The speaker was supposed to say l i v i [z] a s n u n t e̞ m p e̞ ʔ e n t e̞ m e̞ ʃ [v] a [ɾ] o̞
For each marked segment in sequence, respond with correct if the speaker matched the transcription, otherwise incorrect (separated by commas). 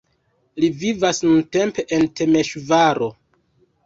incorrect, correct, correct